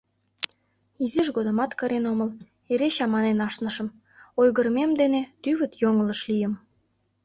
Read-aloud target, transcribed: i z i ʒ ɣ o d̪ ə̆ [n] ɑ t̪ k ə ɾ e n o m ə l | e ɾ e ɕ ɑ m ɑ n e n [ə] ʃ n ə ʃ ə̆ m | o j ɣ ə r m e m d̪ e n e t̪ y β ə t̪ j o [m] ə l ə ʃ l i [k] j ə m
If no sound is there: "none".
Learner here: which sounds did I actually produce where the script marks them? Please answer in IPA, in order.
m, ɑ, ŋ, none

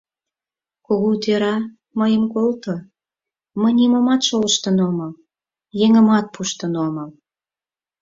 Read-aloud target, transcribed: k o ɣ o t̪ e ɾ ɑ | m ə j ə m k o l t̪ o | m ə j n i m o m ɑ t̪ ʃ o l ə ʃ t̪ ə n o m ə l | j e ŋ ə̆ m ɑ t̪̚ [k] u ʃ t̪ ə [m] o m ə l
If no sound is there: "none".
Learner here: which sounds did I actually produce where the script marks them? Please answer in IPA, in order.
p, n

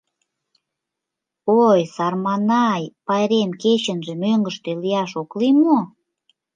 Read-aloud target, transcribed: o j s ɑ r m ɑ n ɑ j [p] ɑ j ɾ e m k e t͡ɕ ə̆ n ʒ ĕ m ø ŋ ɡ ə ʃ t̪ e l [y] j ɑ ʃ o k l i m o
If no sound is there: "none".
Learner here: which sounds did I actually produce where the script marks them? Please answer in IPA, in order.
p, i

